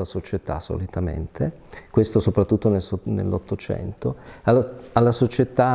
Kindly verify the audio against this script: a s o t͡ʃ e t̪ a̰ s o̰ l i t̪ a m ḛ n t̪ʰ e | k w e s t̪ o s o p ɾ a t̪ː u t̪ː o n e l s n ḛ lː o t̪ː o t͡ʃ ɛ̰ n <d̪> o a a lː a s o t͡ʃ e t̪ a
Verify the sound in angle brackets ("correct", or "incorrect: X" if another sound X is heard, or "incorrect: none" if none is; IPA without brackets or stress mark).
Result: incorrect: t̪